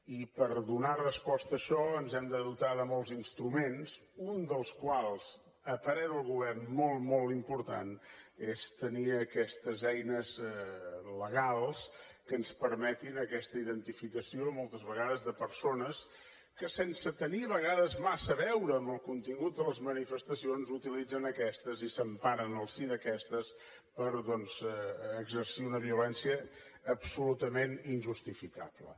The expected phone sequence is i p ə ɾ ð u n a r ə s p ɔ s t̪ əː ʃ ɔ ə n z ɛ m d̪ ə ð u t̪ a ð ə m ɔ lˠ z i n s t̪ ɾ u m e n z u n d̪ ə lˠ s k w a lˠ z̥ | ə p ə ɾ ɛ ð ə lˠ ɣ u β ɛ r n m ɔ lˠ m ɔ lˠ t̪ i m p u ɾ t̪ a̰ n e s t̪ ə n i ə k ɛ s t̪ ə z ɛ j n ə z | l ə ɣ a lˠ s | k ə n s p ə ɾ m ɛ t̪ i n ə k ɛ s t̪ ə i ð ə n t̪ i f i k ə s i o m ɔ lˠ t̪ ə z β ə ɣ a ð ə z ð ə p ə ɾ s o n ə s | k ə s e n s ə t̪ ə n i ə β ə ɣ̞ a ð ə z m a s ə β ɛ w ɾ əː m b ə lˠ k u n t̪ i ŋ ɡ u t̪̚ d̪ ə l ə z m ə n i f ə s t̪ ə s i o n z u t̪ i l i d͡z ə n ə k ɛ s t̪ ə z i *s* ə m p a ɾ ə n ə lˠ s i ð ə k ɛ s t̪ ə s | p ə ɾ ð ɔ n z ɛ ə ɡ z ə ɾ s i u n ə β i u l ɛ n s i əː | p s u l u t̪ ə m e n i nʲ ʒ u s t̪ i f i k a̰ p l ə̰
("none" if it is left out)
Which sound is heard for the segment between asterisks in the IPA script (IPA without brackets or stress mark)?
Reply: s